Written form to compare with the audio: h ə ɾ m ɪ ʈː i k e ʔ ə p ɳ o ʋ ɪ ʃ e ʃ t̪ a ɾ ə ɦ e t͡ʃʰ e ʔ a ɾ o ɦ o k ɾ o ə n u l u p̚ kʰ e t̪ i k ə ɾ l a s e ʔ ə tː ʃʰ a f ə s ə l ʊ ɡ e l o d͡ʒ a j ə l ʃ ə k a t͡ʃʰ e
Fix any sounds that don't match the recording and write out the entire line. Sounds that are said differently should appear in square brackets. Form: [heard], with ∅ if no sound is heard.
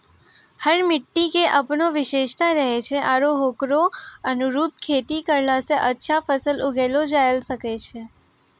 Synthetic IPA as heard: h ə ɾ m ɪ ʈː i k e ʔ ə p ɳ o ʋ ɪ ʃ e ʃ t̪ a ɾ ə ɦ e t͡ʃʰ e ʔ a ɾ o ɦ o k ɾ o ə n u [ɾ] u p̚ kʰ e t̪ i k ə ɾ l a s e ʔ ə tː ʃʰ a f ə s ə l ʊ ɡ e l o d͡ʒ a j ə l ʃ ə k [e] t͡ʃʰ e